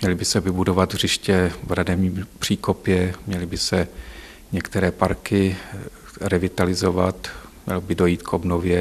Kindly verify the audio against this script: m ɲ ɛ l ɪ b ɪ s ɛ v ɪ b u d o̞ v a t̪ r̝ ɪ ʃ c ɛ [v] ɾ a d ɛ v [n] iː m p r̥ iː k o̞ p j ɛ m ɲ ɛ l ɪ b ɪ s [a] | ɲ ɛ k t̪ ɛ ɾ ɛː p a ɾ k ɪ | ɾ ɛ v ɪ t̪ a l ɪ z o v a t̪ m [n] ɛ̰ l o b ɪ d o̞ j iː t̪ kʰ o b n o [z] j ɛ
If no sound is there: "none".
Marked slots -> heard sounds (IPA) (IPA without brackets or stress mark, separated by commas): v, ɲ, ɛ, ɲ, v